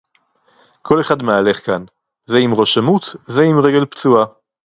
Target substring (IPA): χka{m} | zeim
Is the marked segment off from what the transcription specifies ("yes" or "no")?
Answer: yes